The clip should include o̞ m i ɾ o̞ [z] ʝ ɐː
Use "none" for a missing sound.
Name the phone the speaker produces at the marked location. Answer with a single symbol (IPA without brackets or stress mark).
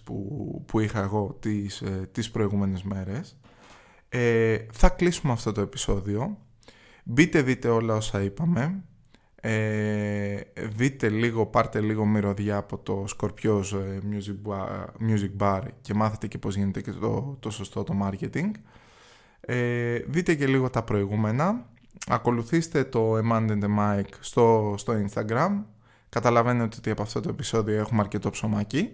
ð